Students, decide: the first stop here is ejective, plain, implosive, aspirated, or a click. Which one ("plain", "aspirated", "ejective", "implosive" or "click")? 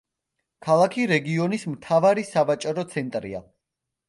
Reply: aspirated